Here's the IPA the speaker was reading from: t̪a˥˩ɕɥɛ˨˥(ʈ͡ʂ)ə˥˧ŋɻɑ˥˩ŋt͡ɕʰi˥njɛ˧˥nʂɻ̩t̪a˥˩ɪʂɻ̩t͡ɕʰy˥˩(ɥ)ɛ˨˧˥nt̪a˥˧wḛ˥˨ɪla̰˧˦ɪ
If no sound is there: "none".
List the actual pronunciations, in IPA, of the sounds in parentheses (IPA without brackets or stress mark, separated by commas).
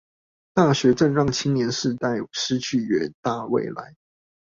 ʈ͡ʂ, ɥ